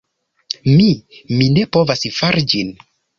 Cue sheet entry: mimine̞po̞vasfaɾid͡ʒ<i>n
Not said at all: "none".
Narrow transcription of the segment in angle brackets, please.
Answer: i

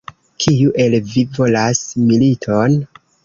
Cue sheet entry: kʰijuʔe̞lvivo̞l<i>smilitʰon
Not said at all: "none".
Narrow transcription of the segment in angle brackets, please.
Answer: a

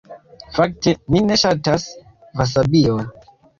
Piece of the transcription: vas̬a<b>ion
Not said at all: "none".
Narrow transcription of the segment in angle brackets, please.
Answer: b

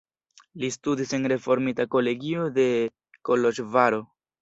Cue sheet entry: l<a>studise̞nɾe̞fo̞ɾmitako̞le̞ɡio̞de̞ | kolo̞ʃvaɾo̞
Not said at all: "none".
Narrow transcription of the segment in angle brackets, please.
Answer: i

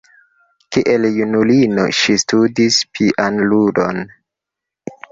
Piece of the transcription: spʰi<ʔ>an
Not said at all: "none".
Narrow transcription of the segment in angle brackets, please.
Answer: ʔ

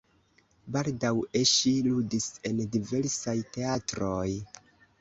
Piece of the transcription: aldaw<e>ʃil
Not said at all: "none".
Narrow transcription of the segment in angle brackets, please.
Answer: e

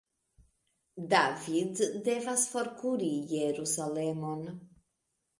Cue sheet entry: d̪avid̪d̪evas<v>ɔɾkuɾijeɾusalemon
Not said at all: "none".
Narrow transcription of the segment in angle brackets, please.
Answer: f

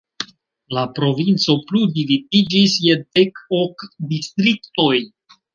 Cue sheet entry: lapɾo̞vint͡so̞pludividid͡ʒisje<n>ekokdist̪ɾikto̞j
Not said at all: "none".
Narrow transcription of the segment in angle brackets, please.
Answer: d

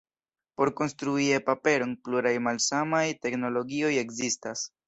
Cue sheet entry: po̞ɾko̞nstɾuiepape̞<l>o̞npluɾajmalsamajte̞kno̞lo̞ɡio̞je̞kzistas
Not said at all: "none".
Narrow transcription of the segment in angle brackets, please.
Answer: ɾ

